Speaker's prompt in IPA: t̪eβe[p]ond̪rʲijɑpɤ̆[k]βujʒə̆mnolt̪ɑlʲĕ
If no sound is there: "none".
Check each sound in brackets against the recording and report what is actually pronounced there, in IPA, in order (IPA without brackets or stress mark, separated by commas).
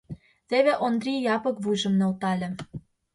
ʔ, k